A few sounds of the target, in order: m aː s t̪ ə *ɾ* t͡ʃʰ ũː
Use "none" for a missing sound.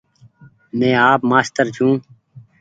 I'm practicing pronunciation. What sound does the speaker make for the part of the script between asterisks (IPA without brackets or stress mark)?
ɾ